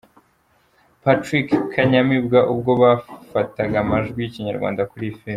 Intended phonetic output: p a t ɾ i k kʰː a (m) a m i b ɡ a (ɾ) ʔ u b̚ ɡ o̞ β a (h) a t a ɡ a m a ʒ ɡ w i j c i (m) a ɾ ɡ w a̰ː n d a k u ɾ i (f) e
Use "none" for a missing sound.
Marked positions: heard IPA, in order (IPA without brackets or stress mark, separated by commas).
ɲ, none, f, ɲ, f